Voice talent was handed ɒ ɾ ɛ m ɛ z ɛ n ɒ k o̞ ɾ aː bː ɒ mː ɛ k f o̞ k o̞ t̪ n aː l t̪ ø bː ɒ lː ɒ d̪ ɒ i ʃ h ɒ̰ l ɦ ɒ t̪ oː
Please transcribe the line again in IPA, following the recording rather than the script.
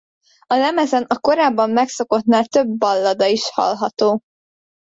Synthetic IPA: ɒ l ɛ m ɛ z ɛ n ɒ k o̞ ɾ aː bː ɒ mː ɛ k s o̞ k o̞ t̪ n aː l t̪ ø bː ɒ lː ɒ d̪ ɒ i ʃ h ɒ̰ l ɦ ɒ t̪ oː